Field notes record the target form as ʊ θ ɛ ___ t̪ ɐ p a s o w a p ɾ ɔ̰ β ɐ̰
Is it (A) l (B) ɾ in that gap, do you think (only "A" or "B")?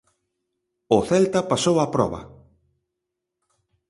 A